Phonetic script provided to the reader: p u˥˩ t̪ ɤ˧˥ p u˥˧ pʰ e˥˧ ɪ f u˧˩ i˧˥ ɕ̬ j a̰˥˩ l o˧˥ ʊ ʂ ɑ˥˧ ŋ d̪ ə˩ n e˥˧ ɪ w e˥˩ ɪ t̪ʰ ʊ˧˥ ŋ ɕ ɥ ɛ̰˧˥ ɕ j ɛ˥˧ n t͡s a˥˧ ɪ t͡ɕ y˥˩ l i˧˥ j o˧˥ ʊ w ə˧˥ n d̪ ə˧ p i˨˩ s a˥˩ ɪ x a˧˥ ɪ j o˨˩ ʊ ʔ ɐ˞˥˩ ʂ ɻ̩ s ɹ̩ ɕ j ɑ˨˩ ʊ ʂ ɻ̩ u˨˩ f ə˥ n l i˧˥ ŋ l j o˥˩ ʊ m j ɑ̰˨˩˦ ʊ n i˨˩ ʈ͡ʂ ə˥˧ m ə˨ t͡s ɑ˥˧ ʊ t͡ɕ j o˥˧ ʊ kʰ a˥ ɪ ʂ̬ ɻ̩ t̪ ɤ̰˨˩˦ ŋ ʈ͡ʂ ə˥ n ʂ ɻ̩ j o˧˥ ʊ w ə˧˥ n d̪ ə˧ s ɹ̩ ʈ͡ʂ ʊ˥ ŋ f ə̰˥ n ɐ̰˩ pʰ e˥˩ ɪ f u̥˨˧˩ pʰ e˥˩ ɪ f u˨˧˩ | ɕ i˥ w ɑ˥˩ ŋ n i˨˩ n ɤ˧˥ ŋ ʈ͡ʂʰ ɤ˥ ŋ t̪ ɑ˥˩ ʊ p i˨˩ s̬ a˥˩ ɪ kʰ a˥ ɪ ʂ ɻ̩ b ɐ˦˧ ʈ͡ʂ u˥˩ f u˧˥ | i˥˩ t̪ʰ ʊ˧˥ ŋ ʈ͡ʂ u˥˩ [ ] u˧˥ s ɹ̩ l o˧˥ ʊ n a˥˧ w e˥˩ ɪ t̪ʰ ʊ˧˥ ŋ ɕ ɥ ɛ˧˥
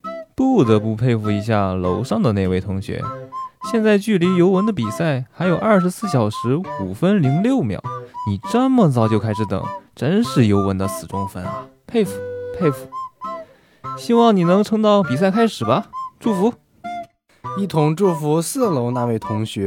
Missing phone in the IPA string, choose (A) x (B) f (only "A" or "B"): B